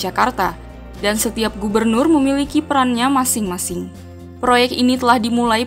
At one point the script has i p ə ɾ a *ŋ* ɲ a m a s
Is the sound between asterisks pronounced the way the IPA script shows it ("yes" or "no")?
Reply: no